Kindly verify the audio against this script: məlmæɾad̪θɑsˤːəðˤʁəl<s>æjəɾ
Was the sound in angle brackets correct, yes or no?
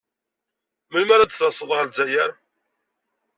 no